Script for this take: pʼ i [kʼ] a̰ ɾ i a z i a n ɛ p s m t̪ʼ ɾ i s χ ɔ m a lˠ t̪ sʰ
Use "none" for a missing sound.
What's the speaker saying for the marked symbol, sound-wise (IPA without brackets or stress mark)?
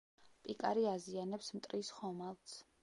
kʼ